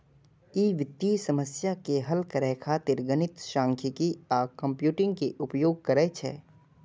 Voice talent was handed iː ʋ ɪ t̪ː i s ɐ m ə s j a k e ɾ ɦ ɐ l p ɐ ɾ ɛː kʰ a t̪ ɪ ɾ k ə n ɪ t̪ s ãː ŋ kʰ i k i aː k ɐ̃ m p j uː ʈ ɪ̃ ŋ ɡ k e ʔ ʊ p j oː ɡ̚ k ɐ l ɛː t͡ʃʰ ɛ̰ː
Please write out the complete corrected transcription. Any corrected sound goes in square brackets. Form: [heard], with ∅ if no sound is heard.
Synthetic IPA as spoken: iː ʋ ɪ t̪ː i s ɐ m ə s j a k e [∅] ɦ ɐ l [k] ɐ ɾ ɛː kʰ a t̪ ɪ ɾ [ɡ] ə n ɪ t̪ [ʃ] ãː ŋ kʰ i k i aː k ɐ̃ m p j uː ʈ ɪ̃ ŋ ɡ k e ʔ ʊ p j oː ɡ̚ k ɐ [ɾ] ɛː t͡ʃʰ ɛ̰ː